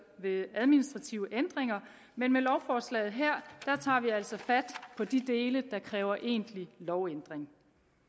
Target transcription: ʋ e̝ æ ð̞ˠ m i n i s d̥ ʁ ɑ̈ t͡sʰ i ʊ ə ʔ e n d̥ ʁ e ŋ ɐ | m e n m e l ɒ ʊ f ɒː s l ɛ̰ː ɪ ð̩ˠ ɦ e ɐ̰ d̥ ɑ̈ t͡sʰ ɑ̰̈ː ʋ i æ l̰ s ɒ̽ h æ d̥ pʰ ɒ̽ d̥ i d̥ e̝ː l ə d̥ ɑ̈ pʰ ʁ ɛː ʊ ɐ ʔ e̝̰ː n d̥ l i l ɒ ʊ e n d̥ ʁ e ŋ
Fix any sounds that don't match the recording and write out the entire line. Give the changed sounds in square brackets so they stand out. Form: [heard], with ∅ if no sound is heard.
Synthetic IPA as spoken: ʋ e̝ æ ð̞ˠ m i n i s d̥ ʁ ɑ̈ t͡sʰ i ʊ ə ʔ e n d̥ ʁ e ŋ ɐ | m e n m e l ɒ ʊ f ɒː s l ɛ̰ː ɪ ð̩ˠ ɦ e ɐ̰ d̥ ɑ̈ t͡sʰ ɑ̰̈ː ʋ i æ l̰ s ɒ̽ [f] æ d̥ pʰ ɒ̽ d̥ i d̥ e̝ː l ə d̥ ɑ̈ [kʰ] ʁ ɛː ʊ ɐ ʔ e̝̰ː n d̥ l i l ɒ ʊ e n d̥ ʁ e ŋ